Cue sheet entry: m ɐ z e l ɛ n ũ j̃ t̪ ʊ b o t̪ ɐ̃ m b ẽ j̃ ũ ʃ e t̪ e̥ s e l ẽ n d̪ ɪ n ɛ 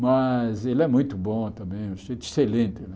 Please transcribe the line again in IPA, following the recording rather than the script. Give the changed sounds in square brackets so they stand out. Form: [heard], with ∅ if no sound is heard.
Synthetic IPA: m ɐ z e l ɛ [m] ũ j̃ t̪ ʊ b [õ] t̪ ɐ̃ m b ẽ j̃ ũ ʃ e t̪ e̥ s e l ẽ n [t̪] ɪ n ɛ